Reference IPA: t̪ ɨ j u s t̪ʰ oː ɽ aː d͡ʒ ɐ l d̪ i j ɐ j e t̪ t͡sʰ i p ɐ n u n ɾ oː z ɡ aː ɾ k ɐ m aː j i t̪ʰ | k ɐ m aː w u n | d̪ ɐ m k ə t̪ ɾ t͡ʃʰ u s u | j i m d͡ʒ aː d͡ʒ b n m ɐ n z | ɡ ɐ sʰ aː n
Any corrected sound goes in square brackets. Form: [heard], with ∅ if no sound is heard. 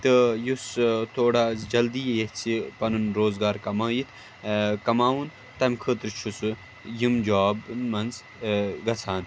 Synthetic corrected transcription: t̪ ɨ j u s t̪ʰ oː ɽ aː d͡ʒ ɐ l d̪ i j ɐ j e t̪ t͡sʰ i p ɐ n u n ɾ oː z ɡ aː ɾ k ɐ m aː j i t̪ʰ | k ɐ m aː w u n | [t̪] ɐ m [kʰ] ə t̪ ɾ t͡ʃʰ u s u | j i m d͡ʒ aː [∅] b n m ɐ n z | ɡ ɐ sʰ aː n